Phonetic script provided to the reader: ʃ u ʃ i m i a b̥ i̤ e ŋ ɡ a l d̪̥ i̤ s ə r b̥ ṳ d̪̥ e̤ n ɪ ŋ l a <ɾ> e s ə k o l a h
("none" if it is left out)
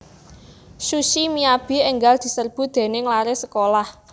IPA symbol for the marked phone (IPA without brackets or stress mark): ɾ